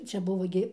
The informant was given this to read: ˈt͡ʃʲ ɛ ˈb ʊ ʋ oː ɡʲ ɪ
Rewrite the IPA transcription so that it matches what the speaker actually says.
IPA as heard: ˈt͡ʃʲ ɛ ˈb ʊ ʋ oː ɡʲ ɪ